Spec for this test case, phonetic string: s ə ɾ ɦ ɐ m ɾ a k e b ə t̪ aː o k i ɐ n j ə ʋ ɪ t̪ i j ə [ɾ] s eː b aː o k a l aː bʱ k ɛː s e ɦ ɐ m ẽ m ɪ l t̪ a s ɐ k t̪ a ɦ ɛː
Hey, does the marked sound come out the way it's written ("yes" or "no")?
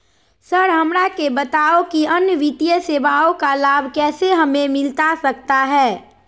no